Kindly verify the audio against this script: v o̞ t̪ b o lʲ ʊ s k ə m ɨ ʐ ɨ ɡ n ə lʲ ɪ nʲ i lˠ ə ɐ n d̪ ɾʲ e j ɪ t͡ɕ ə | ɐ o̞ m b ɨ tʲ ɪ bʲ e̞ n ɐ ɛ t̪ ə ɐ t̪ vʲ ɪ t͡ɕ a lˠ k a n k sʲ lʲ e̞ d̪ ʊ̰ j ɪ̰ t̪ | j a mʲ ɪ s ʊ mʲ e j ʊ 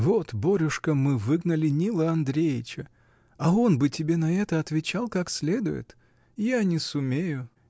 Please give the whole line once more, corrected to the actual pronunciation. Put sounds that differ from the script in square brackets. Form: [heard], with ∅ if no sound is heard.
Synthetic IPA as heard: v o̞ t̪ b o [ɾʲ] ʊ [ʂ] k ə m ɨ [v] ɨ ɡ n ə lʲ ɪ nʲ i lˠ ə ɐ n d̪ ɾʲ e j ɪ t͡ɕ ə | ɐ o̞ [n] b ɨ tʲ ɪ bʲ e̞ n ɐ ɛ t̪ ə ɐ t̪ vʲ ɪ t͡ɕ a lˠ k a [∅] k sʲ lʲ e̞ d̪ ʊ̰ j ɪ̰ t̪ | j a [nʲ] ɪ s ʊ mʲ e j ʊ